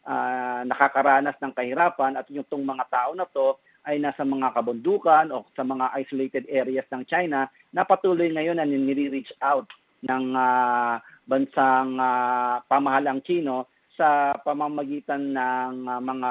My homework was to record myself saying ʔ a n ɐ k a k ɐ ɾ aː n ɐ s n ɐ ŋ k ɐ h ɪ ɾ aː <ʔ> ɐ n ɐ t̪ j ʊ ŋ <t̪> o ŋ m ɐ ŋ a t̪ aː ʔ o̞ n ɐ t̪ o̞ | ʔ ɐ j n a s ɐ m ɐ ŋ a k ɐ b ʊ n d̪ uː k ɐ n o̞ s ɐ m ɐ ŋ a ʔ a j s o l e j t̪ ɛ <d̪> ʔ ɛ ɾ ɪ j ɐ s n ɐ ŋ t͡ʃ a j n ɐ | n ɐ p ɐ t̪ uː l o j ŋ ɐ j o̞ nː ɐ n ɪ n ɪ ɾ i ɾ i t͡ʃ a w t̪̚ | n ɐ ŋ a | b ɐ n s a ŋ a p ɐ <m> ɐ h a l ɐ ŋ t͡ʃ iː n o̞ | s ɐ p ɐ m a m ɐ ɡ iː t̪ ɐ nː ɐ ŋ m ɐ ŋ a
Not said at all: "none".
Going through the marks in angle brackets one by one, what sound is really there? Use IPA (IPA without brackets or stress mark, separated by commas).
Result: p, t̪, d̪, m